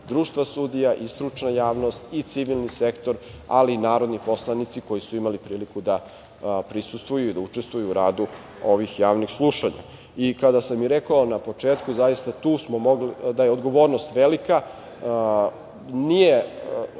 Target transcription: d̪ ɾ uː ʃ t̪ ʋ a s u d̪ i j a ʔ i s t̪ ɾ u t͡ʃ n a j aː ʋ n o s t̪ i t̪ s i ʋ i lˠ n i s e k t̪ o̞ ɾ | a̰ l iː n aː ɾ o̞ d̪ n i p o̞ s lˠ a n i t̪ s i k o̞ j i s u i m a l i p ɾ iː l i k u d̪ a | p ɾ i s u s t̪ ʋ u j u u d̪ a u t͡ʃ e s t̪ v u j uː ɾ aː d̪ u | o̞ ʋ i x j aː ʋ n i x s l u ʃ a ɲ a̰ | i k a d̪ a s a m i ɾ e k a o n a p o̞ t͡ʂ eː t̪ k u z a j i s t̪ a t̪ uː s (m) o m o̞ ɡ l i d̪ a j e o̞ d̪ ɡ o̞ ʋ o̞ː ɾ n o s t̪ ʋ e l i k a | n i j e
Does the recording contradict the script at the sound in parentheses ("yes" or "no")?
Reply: no